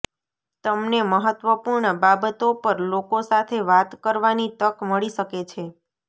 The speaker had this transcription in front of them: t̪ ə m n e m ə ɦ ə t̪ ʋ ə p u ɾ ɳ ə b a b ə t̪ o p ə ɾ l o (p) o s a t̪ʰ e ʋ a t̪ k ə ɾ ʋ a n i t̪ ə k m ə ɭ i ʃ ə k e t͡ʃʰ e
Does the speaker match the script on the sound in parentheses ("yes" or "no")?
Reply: no